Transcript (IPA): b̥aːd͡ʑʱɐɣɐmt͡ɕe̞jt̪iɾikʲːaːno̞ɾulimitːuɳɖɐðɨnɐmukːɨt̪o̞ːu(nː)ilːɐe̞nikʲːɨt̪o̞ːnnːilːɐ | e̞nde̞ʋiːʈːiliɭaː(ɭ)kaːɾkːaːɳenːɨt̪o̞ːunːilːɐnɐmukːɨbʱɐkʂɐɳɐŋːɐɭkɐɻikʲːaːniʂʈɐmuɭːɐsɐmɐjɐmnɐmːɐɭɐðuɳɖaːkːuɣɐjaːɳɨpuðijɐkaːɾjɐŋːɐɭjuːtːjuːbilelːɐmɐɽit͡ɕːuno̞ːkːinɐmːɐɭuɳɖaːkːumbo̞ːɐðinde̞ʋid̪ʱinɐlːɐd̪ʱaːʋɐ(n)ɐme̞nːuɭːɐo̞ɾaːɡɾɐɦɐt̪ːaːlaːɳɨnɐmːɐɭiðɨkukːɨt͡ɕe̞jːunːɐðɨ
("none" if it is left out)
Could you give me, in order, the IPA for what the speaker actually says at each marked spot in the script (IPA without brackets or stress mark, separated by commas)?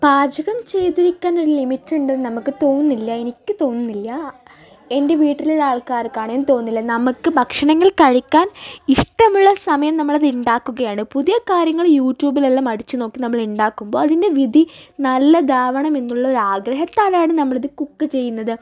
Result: nː, ɭ, ɳ